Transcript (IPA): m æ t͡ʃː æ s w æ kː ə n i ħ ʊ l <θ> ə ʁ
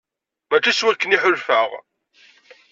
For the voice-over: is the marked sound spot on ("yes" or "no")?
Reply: no